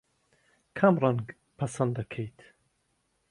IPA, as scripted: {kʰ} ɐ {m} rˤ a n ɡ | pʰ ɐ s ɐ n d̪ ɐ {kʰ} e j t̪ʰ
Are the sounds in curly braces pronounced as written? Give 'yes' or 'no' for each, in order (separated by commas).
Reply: yes, yes, yes